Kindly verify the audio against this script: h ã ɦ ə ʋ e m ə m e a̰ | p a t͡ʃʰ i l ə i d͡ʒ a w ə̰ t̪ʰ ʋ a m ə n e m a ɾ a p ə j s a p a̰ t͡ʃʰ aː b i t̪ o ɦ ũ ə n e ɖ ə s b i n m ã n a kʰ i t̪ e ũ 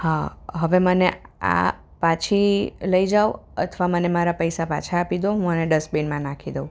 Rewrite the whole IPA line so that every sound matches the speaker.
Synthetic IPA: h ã ɦ ə ʋ e m ə n e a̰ | p a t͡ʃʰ i l ə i d͡ʒ a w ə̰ t̪ʰ ʋ a m ə n e m a ɾ a p ə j s a p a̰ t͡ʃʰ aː p i d̪ o ɦ ũ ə n e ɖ ə s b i n m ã n a kʰ i d̪ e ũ

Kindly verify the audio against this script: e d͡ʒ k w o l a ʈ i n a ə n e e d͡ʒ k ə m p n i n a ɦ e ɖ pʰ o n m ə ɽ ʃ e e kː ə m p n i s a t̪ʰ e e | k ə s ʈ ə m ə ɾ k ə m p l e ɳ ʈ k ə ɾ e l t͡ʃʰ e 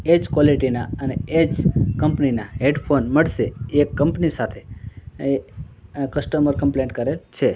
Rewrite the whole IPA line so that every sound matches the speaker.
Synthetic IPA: e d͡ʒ k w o l i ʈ i n a ə n e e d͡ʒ k ə m p n i n a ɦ e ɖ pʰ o n m ə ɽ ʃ e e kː ə m p n i s a t̪ʰ e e | k ə s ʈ ə m ə ɾ k ə m p l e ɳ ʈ k ə ɾ e l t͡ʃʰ e

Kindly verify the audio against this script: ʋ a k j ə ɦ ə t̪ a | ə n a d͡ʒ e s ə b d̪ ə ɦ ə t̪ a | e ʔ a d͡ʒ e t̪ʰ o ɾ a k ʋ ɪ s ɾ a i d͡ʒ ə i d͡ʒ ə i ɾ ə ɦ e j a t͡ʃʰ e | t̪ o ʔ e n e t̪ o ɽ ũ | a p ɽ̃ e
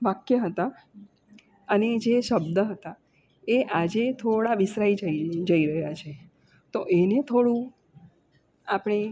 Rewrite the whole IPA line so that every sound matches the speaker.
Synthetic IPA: ʋ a k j ə ɦ ə t̪ a | ə n e d͡ʒ e ʃ ə b d̪ ə ɦ ə t̪ a | e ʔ a d͡ʒ e t̪ʰ o ɽ a ʋ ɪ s ɾ a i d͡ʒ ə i d͡ʒ ə i ɾ ə ɦ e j a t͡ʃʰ e | t̪ o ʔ e n e t̪ʰ o ɽ ũ | a p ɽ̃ e

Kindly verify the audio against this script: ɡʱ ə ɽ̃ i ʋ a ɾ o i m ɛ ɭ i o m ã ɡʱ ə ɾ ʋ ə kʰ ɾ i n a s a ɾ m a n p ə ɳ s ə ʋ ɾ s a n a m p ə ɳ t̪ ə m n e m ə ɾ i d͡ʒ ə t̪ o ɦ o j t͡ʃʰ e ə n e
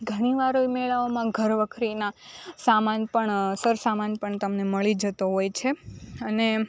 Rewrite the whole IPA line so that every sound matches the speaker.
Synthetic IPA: ɡʱ ə ɽ̃ i ʋ a ɾ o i m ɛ ɭ a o m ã ɡʱ ə ɾ ʋ ə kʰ ɾ i n a s a m a n p ə ɳ s ə ɾ s a m a n p ə ɳ t̪ ə m n e m ə ɭ i d͡ʒ ə t̪ o ɦ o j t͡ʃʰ e ə n e

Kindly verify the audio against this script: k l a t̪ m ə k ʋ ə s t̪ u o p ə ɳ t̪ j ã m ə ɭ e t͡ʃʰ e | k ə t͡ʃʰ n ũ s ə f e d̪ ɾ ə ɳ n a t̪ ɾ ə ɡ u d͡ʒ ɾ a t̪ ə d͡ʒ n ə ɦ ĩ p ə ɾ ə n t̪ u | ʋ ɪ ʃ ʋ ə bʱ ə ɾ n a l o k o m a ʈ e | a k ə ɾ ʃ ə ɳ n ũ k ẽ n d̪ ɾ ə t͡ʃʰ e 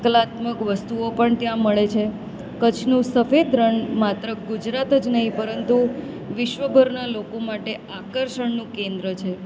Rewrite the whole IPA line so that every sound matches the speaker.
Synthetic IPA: k l a t̪ m ə k ʋ ə s t̪ u o p ə ɳ t̪ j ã m ə ɭ e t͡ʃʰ e | k ə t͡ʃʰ n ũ s ə f e d̪ ɾ ə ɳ m a t̪ ɾ ə ɡ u d͡ʒ ɾ a t̪ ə d͡ʒ n ə ɦ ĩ p ə ɾ ə n t̪ u | ʋ ɪ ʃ ʋ ə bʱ ə ɾ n a l o k o m a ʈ e | a k ə ɾ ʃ ə ɳ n ũ k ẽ n d̪ ɾ ə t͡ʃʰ e

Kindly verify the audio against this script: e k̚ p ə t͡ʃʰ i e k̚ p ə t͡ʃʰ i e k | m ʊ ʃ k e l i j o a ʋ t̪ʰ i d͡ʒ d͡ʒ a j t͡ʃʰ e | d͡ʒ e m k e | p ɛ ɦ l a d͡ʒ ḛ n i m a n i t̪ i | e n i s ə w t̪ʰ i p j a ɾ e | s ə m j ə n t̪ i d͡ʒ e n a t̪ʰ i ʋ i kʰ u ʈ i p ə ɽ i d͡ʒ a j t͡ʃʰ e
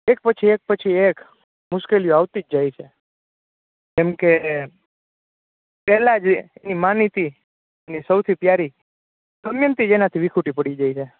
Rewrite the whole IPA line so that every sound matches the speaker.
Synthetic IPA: e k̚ p ə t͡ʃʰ i e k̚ p ə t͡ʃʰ i e k | m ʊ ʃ k e l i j o a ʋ t̪ i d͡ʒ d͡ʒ a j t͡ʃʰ e | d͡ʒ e m k e | p ɛ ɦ l a d͡ʒ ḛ n i m a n i t̪ i | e n i s ə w t̪ʰ i p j a ɾ i | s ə m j ə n t̪ i d͡ʒ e n a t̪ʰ i ʋ i kʰ u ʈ i p ə ɽ i d͡ʒ a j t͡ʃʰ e

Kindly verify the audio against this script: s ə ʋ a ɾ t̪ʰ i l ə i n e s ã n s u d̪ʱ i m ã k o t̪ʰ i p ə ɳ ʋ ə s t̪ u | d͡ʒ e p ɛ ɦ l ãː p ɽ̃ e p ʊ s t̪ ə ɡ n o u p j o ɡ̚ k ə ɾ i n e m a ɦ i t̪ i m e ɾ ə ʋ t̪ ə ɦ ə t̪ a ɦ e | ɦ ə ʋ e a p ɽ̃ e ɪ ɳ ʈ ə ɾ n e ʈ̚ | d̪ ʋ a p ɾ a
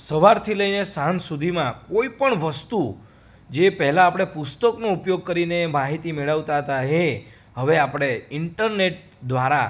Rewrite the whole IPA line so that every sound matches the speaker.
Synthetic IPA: s ə ʋ a ɾ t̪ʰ i l ə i n e s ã n s u d̪ʱ i m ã k o i p ə ɳ ʋ ə s t̪ u | d͡ʒ e p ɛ ɦ l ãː p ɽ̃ e p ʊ s t̪ ə k n o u p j o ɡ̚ k ə ɾ i n e m a ɦ i t̪ i m e ɭ ə ʋ t̪ a ɦ ə t̪ a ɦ e | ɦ ə ʋ e a p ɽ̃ e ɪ ɳ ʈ ə ɾ n e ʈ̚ | d̪ ʋ a ɾ a

